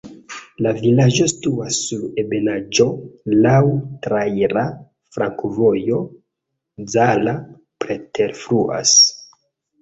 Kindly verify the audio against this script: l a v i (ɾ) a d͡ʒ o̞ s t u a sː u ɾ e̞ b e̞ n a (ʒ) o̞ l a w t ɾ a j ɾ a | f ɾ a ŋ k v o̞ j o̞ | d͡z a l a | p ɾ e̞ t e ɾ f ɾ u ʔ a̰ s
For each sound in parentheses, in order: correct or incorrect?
incorrect, incorrect

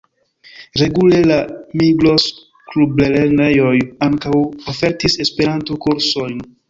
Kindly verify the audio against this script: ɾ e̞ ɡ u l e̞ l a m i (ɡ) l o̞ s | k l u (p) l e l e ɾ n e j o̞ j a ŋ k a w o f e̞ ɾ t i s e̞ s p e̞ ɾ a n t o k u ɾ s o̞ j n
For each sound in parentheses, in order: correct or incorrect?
correct, incorrect

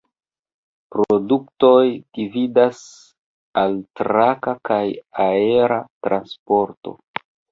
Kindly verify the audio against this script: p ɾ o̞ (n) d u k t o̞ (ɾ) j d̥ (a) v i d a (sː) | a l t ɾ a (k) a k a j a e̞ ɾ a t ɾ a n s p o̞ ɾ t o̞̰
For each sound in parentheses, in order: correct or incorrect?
incorrect, incorrect, incorrect, incorrect, correct

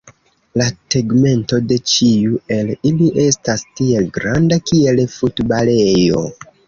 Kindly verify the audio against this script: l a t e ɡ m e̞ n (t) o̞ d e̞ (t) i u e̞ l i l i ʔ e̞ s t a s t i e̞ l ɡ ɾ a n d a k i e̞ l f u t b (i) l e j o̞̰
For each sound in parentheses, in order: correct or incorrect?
correct, incorrect, incorrect

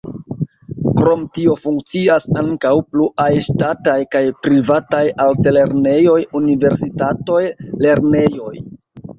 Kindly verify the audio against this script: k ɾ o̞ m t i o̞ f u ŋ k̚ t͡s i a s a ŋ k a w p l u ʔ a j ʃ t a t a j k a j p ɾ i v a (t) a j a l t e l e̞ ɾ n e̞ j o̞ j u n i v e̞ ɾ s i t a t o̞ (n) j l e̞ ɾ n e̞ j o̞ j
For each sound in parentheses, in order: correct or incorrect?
correct, incorrect

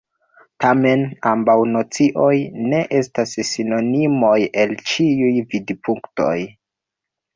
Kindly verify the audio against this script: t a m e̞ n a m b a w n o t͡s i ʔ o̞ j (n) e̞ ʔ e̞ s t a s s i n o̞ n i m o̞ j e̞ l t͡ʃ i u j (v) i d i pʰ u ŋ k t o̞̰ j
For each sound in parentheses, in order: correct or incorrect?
correct, correct

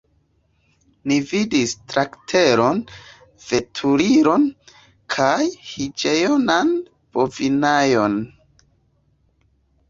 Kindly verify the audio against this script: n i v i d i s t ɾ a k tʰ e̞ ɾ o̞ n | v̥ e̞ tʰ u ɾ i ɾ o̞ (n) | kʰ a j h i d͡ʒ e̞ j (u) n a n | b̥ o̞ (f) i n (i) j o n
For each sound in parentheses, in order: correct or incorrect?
correct, incorrect, incorrect, incorrect

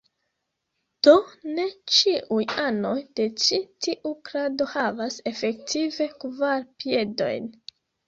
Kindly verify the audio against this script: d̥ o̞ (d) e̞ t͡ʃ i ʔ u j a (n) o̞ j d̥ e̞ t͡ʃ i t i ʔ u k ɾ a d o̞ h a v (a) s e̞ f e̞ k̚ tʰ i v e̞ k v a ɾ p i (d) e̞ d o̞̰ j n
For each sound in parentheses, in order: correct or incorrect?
incorrect, correct, correct, incorrect

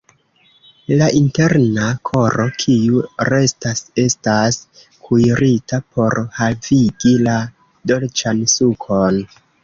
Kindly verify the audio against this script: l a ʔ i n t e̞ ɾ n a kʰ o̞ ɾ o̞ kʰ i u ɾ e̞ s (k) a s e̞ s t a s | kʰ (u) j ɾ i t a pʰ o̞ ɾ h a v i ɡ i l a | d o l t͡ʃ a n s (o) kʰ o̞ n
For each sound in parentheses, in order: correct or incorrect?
incorrect, correct, incorrect

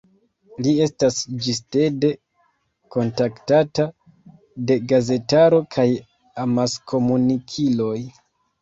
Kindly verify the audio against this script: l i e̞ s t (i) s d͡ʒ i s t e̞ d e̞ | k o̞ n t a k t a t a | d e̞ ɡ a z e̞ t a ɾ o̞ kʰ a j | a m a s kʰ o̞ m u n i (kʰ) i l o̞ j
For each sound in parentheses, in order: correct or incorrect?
incorrect, correct

